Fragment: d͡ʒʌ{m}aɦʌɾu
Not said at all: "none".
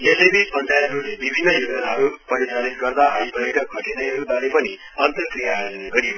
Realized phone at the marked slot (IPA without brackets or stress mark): n